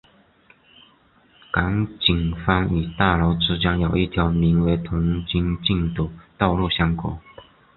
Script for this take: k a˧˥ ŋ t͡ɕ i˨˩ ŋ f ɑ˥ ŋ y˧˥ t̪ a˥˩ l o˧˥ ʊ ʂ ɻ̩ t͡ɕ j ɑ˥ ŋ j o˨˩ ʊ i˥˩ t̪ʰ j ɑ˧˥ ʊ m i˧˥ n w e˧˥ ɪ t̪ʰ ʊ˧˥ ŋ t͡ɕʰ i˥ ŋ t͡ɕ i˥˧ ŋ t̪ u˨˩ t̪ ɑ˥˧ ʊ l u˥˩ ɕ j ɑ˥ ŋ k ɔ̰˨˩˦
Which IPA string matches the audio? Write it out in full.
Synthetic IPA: k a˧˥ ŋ t͡ɕ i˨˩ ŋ f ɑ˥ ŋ y˨˩ t̪ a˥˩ l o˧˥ ʊ ʈ͡ʂ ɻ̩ t͡ɕ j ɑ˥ ŋ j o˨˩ ʊ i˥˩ t̪ʰ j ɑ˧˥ ʊ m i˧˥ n w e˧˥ ɪ t̪ʰ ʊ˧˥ ŋ t͡ɕ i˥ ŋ t͡ɕ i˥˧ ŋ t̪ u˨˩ t̪ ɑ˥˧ ʊ l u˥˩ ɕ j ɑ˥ ŋ k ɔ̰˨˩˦